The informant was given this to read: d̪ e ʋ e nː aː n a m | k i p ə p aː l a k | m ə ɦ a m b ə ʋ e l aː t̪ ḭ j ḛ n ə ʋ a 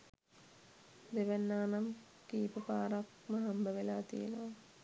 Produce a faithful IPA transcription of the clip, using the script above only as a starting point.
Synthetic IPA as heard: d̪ e ʋ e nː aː n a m | k iː p ə p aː ɾ a k | m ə ɦ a m b ə ʋ e l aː t̪ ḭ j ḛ n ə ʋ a